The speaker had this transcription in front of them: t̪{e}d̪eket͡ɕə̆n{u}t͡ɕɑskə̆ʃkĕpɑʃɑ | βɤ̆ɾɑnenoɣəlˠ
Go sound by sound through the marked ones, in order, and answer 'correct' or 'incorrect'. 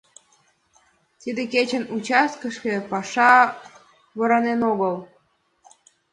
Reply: incorrect: i, correct

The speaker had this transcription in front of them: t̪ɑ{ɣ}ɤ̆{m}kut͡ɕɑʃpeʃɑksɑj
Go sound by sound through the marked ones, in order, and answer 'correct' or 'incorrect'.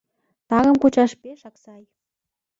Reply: correct, correct

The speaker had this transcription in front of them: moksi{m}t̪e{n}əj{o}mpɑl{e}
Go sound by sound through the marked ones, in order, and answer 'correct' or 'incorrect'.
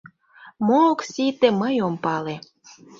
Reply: incorrect: none, incorrect: m, correct, correct

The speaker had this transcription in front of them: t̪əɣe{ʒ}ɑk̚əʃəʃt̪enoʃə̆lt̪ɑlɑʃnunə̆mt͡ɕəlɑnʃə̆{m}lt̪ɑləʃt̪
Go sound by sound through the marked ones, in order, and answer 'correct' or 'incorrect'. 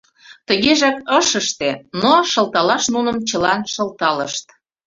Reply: correct, incorrect: none

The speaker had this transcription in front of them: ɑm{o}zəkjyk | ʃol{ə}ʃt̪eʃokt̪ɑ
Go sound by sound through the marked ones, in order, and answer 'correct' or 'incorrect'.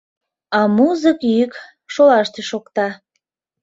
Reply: incorrect: u, incorrect: ɑ

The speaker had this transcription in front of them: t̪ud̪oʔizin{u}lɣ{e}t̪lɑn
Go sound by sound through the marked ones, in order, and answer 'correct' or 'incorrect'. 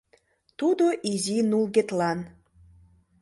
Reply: correct, correct

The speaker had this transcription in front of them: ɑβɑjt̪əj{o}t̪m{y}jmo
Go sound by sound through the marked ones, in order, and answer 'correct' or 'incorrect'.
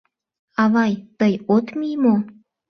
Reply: correct, incorrect: i

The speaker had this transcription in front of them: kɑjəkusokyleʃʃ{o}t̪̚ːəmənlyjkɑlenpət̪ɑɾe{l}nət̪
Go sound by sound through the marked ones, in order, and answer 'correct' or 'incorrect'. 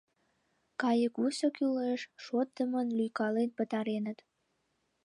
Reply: correct, incorrect: none

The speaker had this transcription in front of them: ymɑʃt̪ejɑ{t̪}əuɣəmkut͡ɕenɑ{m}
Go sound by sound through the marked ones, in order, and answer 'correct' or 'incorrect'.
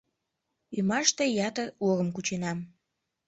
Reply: correct, correct

